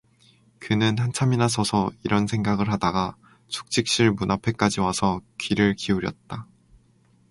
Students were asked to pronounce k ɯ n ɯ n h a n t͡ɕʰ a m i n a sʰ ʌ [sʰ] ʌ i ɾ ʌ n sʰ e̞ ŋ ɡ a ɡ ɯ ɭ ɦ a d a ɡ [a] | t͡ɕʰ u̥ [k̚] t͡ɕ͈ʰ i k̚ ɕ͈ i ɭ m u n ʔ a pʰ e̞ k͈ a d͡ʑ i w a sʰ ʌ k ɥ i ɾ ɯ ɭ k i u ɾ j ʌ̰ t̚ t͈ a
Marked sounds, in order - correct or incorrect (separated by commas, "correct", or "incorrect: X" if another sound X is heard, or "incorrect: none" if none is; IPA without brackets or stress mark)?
correct, correct, correct